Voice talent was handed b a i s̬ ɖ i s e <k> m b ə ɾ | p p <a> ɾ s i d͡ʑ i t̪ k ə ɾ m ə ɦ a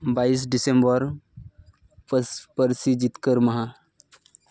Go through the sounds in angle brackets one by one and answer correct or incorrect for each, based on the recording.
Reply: incorrect: none, incorrect: ə

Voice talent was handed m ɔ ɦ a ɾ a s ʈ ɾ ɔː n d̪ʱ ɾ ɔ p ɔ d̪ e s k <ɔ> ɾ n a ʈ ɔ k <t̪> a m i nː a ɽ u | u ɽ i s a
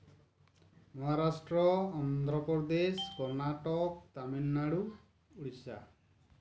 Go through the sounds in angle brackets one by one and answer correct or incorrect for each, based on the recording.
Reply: correct, correct

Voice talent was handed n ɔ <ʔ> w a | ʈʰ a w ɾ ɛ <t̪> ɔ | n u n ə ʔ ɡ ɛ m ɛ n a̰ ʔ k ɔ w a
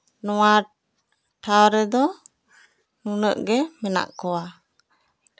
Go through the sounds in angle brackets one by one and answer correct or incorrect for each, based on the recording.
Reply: incorrect: none, incorrect: d̪

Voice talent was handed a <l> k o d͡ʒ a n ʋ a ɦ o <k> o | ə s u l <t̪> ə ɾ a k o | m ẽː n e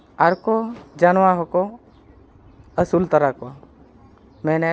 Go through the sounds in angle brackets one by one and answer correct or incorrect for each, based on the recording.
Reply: incorrect: ɾ, correct, correct

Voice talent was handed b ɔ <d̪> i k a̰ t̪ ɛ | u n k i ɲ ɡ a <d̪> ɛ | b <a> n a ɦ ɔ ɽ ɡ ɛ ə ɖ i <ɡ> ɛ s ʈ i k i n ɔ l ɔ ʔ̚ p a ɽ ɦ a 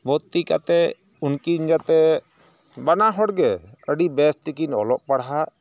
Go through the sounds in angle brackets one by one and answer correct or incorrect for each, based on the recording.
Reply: incorrect: t̪, incorrect: t̪, correct, incorrect: b

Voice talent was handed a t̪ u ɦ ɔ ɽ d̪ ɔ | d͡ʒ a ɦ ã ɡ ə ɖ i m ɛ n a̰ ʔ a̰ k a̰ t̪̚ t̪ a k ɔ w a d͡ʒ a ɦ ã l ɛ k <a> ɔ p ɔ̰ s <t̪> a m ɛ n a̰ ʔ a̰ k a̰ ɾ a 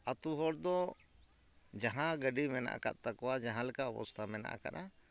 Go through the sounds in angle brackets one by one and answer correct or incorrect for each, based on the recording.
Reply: correct, incorrect: t̪ʰ

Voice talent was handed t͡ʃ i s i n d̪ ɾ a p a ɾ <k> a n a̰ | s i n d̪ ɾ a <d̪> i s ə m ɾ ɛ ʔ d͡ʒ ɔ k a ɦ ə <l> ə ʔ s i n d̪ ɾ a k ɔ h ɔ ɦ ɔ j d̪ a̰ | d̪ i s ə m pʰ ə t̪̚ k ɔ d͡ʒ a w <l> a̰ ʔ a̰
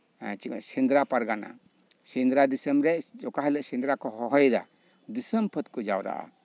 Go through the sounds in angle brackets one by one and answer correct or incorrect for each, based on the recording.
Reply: incorrect: ɡ, correct, correct, incorrect: ɾ

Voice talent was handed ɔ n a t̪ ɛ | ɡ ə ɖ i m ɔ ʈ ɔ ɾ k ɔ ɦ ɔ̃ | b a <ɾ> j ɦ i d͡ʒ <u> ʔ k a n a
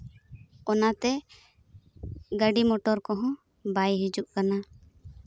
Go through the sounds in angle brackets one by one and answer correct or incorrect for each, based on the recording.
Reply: incorrect: none, correct

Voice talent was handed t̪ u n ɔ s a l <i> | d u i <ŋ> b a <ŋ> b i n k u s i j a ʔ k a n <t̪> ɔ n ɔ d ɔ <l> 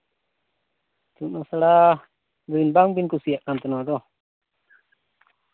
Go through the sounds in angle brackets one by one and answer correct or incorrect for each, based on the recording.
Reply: incorrect: a, incorrect: n, correct, correct, incorrect: none

